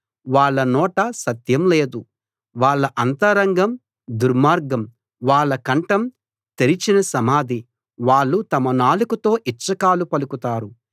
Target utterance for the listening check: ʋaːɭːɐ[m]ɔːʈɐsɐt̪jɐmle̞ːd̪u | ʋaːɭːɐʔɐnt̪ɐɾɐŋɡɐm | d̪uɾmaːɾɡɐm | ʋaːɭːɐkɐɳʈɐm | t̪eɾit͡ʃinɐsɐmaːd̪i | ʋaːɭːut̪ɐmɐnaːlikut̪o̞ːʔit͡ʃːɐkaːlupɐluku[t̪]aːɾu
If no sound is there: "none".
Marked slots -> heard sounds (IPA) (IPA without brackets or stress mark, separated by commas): n, t̪